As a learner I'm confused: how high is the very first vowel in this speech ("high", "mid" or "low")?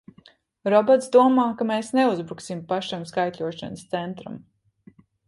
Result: mid